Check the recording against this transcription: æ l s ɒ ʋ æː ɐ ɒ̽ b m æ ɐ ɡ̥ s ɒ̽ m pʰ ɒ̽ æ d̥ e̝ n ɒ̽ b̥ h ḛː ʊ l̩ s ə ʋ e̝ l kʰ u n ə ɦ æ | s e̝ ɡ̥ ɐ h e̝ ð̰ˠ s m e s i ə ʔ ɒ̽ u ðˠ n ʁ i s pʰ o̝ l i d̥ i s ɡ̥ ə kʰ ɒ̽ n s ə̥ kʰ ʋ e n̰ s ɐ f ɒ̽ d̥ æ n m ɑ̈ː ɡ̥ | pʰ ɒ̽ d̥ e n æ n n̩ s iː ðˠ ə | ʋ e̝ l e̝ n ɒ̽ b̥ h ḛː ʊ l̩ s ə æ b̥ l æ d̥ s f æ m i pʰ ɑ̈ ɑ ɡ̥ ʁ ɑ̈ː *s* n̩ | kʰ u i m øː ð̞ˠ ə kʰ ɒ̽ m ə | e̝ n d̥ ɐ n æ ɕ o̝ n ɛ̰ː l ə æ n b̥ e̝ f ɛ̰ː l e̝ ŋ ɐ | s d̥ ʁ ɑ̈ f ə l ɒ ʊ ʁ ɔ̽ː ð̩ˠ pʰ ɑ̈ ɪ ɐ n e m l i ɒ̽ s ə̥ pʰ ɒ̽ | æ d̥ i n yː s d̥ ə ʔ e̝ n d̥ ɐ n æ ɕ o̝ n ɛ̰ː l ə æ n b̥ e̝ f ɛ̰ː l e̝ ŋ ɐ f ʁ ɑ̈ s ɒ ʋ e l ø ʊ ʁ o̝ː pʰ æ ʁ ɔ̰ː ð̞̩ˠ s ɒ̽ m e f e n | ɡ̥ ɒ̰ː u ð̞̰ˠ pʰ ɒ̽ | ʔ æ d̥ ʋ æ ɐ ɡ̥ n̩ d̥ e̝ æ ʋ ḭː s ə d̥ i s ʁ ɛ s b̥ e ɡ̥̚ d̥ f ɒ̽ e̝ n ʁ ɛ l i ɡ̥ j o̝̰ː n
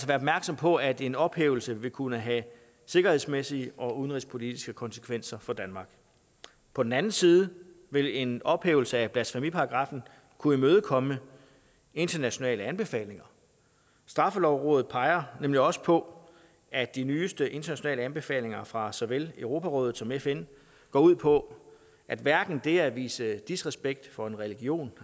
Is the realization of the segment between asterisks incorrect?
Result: yes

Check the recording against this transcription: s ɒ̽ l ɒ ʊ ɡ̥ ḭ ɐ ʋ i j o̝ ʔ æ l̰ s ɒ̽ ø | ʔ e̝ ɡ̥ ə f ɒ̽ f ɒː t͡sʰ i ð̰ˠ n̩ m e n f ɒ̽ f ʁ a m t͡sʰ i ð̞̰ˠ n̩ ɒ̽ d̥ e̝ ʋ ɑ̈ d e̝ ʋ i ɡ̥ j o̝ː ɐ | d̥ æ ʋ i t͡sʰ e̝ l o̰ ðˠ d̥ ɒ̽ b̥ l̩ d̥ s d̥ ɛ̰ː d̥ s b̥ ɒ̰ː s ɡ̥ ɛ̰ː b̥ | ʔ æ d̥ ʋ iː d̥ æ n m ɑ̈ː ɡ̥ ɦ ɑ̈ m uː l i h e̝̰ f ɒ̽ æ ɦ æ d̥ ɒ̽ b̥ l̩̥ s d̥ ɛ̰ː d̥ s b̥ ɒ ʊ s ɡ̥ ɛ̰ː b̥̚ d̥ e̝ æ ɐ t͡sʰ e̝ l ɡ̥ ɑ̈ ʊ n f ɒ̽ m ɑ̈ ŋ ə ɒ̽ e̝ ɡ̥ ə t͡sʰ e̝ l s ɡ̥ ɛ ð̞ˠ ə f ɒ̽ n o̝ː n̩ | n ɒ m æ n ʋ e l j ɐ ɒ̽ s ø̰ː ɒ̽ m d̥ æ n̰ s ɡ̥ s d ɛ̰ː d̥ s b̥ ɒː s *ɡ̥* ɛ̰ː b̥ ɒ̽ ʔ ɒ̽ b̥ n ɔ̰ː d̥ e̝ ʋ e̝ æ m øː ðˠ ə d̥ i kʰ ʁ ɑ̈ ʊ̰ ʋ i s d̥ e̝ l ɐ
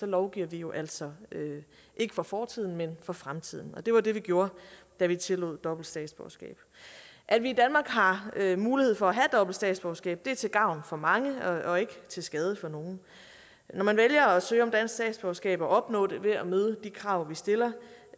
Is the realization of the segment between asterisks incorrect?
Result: no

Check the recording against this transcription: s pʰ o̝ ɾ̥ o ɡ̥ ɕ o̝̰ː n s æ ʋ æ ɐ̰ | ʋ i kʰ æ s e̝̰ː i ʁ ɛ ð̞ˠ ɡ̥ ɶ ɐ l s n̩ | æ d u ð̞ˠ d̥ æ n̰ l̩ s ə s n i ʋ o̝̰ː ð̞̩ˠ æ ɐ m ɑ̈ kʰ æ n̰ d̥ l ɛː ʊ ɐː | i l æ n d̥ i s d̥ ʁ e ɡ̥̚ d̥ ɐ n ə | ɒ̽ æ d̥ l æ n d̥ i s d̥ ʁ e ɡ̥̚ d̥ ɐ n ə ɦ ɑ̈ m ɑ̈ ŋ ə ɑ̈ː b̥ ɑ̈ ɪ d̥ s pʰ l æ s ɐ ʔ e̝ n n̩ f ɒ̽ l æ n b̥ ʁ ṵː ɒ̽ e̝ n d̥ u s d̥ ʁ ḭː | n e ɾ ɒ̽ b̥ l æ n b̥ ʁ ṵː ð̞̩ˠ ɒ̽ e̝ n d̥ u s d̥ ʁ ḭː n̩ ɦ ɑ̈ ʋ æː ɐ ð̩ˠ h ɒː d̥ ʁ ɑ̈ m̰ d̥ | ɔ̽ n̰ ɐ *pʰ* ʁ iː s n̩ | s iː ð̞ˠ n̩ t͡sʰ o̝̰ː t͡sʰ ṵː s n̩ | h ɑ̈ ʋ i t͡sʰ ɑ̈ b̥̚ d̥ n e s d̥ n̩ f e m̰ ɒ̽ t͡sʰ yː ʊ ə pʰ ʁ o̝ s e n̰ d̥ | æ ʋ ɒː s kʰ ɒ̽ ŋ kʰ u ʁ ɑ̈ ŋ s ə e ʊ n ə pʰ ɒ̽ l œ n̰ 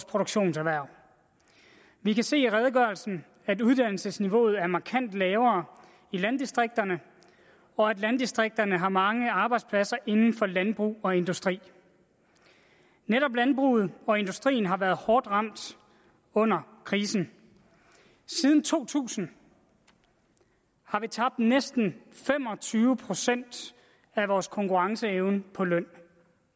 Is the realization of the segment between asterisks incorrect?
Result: yes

